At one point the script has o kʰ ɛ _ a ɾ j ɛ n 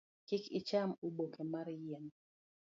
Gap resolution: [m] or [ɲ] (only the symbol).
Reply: m